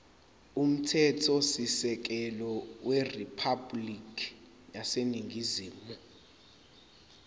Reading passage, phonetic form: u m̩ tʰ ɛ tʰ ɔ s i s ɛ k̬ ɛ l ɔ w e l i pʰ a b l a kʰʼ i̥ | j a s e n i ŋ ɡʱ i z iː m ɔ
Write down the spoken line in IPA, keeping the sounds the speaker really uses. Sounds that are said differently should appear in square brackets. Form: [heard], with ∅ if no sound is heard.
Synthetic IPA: u m̩ tʰ ɛ tʰ ɔ s i s ɛ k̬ ɛ l ɔ w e [r] i pʰ a b l [i] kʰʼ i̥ | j a s e n i ŋ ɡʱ i z iː m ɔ